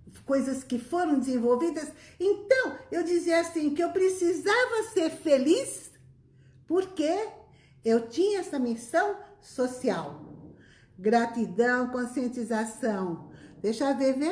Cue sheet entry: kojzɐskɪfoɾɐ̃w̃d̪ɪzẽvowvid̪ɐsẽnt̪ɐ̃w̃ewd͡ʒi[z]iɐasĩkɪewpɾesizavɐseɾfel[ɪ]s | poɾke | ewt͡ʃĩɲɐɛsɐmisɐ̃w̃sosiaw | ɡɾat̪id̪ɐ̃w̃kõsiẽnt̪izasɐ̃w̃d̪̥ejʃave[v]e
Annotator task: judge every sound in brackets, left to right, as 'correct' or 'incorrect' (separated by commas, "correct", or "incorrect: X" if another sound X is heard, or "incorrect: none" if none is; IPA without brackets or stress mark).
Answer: correct, incorrect: i, correct